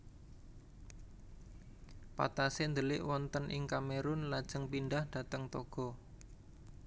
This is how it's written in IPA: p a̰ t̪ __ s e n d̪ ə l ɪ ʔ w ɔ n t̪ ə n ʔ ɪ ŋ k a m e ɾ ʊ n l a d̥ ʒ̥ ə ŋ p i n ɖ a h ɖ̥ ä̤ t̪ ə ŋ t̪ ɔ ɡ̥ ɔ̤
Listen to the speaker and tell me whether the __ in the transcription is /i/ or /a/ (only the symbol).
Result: a